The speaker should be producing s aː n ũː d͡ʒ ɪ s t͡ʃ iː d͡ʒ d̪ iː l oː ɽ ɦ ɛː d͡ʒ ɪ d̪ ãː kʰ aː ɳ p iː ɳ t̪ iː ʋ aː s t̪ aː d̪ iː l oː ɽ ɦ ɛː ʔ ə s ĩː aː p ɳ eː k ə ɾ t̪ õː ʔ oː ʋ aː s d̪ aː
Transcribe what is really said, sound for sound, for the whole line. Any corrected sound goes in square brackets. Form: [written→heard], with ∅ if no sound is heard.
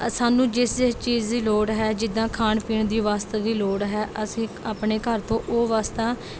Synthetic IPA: s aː n ũː d͡ʒ ɪ s t͡ʃ iː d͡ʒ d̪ iː l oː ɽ ɦ ɛː d͡ʒ ɪ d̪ ãː kʰ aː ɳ p iː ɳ [t̪→d̪] iː ʋ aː s t̪ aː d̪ iː l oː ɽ ɦ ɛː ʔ ə s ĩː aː p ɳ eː k ə ɾ t̪ õː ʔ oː ʋ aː s [d̪→t̪] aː